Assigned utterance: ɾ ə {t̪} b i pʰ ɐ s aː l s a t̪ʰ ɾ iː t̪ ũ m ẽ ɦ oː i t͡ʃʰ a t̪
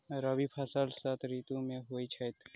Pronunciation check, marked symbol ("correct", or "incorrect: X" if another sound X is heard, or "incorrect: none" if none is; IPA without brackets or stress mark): incorrect: none